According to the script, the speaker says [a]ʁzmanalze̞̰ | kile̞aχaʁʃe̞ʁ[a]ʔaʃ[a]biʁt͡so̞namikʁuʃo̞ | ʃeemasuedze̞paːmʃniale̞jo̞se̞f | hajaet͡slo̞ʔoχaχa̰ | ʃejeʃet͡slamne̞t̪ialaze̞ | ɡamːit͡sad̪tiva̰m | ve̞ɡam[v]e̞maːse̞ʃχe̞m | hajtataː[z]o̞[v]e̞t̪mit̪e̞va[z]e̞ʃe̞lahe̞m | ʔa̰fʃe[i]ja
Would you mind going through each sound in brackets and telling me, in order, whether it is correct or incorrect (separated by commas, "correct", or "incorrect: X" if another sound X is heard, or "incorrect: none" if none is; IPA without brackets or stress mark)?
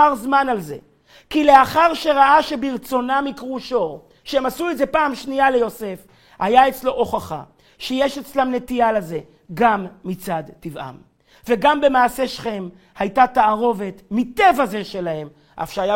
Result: correct, correct, incorrect: e, incorrect: b, incorrect: ʁ, correct, correct, incorrect: a